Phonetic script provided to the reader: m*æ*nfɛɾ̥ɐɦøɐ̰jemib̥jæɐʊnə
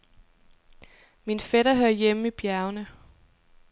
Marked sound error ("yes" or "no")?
yes